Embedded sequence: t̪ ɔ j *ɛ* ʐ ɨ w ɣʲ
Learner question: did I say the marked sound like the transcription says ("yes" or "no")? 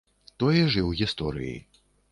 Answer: yes